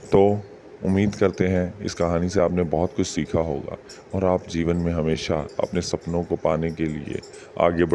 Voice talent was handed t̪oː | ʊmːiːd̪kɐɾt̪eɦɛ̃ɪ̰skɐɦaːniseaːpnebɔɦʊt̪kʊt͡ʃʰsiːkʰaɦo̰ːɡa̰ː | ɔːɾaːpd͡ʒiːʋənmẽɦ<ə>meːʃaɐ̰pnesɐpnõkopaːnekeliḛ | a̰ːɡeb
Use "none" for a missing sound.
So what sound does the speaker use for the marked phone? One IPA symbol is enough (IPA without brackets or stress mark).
ɐ